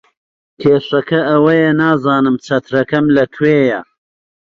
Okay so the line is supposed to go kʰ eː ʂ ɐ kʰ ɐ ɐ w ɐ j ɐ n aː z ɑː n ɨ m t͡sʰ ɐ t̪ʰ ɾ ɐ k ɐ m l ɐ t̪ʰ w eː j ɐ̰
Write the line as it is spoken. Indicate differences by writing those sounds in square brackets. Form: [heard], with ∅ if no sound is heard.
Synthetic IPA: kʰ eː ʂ ɐ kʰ ɐ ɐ w ɐ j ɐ n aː z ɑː n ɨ m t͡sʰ ɐ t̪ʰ ɾ ɐ k ɐ m l ɐ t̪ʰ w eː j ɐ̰